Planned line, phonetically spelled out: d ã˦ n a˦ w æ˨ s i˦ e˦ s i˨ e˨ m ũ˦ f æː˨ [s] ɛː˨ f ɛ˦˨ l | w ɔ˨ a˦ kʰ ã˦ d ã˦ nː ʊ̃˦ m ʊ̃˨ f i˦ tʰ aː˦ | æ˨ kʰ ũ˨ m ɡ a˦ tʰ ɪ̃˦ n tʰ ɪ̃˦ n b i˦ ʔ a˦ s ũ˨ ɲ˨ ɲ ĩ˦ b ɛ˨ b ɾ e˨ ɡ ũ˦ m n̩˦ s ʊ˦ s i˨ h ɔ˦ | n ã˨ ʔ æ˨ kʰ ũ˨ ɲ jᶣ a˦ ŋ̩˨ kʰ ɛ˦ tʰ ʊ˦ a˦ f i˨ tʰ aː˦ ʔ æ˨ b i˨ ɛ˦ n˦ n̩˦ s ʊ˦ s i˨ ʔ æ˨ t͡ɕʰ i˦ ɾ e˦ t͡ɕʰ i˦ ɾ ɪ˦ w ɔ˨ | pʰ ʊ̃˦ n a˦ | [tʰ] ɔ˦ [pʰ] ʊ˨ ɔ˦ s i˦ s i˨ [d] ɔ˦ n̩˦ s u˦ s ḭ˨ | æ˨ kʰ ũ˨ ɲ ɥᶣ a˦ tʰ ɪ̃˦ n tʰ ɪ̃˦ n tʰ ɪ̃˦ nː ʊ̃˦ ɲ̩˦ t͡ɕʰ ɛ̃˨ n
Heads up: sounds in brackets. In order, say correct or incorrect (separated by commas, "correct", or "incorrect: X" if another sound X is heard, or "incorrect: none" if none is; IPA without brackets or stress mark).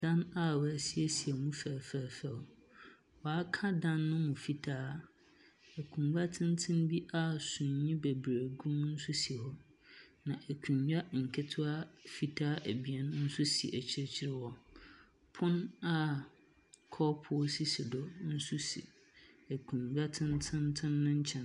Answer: incorrect: f, incorrect: kʰ, correct, correct